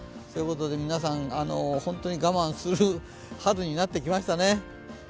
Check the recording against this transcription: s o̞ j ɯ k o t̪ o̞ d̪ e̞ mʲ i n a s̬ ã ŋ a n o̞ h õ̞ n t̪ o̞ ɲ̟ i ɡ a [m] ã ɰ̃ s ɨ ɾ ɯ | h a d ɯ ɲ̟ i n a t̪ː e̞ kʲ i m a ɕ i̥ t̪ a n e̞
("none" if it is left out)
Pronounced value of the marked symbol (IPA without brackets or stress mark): m